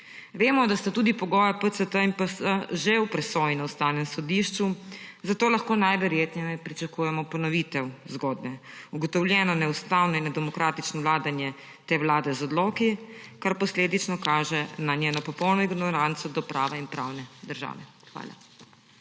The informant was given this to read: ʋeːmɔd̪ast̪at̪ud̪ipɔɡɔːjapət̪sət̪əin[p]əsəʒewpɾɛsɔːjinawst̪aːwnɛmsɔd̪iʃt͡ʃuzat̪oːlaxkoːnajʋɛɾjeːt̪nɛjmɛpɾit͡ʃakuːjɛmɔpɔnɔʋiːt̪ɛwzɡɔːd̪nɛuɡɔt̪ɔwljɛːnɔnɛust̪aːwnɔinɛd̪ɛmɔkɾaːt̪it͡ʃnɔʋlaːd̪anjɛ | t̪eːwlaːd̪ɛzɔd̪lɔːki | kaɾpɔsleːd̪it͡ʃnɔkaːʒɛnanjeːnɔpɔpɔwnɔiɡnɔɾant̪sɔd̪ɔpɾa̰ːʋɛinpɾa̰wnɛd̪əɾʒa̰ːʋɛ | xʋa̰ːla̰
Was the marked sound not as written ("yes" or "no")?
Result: no